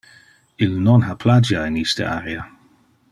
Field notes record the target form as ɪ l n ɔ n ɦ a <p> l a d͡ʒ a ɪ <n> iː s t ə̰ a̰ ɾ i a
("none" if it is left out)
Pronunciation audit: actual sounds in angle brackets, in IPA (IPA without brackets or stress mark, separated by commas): pʰ, n